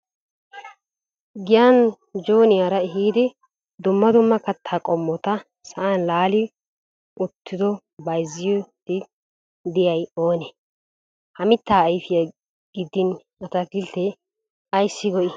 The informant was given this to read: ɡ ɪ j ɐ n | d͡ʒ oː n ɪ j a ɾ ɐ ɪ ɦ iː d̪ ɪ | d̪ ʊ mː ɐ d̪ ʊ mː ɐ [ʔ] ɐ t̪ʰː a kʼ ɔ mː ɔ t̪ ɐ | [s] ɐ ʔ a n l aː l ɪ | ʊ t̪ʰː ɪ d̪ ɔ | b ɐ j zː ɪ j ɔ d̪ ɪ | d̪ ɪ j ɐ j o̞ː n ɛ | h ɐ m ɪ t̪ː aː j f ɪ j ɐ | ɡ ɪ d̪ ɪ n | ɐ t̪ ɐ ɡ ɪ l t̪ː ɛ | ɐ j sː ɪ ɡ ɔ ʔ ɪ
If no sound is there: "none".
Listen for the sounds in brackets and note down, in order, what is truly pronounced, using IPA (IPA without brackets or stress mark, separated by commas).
k, s